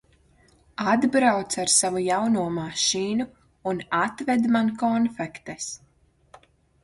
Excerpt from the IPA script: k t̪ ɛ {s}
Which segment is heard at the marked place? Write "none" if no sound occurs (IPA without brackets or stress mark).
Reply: s